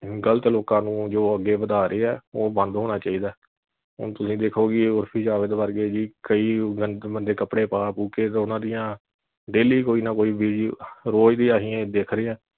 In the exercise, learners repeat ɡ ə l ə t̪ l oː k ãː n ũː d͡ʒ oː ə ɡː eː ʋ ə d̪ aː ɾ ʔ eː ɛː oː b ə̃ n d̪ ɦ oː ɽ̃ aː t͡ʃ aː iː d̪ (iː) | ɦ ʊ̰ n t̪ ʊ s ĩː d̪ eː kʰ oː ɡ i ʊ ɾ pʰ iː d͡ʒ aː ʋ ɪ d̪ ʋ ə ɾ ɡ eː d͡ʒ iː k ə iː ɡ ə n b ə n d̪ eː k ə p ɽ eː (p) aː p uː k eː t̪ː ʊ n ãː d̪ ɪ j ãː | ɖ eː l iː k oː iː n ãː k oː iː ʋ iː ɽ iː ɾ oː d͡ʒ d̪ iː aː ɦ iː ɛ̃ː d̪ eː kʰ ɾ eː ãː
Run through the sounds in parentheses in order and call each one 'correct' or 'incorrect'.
incorrect: aː, correct

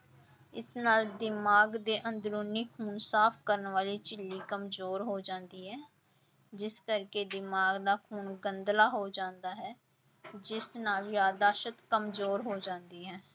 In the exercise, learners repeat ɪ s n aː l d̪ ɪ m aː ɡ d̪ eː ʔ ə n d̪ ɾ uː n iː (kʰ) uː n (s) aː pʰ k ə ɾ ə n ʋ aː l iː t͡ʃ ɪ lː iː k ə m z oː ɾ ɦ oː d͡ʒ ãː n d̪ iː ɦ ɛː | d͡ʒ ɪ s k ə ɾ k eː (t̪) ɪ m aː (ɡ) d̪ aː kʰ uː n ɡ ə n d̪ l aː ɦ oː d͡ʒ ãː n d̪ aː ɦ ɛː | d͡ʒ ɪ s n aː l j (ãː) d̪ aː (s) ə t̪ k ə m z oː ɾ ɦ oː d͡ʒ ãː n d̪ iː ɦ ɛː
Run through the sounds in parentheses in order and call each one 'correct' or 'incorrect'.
correct, correct, incorrect: d̪, correct, incorrect: aː, incorrect: ʃ

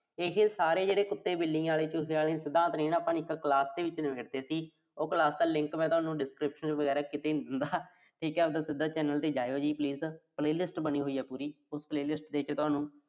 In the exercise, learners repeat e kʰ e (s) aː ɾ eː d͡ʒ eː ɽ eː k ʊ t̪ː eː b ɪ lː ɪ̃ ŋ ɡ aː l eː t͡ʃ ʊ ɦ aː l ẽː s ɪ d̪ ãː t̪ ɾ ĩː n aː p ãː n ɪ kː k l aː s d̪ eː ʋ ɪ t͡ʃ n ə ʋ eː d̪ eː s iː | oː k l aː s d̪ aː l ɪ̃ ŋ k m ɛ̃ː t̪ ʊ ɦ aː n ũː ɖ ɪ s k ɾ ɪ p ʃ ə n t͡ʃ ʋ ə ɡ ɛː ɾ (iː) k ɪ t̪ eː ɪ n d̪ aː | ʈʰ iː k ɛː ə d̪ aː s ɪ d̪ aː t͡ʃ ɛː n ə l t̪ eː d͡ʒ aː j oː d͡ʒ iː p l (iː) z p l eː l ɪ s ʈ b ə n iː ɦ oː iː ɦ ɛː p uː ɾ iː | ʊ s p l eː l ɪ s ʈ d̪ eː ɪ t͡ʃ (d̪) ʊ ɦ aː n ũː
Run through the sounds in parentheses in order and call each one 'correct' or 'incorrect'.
correct, incorrect: aː, correct, incorrect: t̪

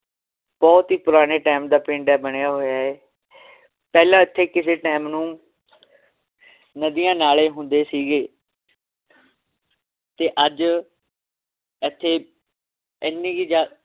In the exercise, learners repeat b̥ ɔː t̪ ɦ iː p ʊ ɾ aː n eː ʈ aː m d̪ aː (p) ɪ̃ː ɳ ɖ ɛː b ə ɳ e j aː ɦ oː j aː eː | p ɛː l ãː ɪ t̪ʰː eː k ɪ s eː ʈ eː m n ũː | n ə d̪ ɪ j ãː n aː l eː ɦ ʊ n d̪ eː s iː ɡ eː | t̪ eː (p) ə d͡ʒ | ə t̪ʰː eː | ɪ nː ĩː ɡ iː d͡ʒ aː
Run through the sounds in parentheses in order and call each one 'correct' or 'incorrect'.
correct, incorrect: ʔ

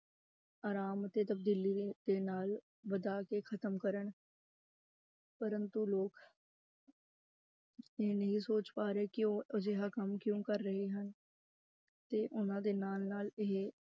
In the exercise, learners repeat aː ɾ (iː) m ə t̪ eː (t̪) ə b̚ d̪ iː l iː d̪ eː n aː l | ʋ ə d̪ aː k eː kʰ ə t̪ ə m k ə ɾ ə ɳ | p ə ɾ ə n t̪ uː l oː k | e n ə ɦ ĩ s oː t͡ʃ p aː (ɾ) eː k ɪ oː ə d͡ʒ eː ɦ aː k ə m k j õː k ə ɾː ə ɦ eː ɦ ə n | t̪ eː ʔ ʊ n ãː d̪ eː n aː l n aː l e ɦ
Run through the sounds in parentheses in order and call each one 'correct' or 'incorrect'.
incorrect: aː, correct, correct

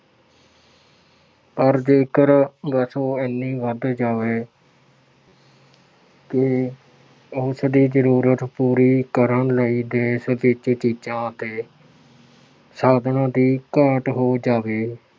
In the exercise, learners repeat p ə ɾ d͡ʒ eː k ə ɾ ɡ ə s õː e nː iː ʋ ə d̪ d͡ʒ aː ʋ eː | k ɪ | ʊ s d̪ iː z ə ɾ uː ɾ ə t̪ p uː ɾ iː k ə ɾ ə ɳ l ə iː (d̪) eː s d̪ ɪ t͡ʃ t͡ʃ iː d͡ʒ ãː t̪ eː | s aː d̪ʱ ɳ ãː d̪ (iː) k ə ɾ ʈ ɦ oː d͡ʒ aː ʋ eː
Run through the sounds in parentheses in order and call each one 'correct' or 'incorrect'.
correct, correct

